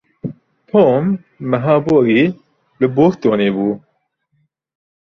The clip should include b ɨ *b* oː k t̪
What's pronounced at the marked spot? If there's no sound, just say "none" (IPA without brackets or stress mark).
b